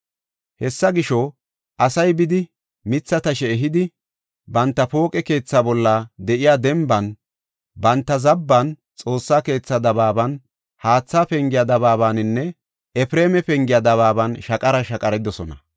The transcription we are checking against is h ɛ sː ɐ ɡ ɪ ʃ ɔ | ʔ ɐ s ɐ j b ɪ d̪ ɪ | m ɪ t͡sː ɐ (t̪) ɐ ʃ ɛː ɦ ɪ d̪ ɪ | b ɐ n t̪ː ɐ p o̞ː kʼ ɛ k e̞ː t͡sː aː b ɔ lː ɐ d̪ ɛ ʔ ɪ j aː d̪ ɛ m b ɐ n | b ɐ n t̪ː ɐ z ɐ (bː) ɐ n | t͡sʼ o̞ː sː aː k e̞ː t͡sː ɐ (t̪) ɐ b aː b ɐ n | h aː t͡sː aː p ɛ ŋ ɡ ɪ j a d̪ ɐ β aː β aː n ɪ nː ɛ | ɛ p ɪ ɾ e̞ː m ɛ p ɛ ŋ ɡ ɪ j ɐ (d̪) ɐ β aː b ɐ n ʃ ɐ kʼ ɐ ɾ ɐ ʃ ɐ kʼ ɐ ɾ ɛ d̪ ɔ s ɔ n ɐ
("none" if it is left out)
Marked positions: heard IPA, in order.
t̪, bː, d̪, d̪

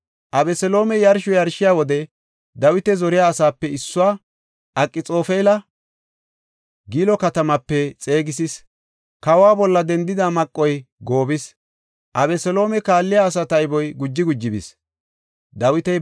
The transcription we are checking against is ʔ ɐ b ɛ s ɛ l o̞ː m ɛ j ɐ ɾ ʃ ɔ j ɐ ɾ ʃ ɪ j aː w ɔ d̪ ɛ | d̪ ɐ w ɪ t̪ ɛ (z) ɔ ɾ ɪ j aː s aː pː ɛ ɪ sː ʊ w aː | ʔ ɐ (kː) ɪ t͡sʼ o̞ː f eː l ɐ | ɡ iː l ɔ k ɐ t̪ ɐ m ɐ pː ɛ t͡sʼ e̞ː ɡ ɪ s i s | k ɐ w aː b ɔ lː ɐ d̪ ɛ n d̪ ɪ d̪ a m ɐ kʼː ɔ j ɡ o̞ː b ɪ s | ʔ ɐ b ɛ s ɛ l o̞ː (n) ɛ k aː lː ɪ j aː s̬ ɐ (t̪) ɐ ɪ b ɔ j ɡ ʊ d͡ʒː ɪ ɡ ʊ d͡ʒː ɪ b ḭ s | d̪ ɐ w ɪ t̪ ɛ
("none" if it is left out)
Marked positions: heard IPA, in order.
z, kʼː, m, t̪

